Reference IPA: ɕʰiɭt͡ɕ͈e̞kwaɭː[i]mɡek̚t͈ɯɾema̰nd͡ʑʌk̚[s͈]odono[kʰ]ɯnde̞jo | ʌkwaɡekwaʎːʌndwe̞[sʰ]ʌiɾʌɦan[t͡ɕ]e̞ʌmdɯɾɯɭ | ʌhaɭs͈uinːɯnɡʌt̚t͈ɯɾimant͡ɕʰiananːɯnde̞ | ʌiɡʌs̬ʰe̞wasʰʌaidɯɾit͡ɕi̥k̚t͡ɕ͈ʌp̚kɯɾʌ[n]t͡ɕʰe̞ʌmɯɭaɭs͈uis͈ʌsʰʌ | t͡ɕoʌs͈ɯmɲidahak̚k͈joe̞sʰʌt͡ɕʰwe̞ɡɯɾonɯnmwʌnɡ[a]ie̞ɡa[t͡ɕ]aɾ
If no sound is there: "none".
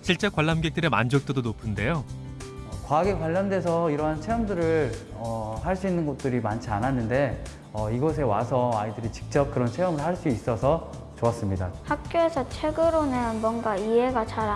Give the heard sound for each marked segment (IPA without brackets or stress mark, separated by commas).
a, t͈, pʰ, sʰ, t͡ɕʰ, n, a, t͡ɕ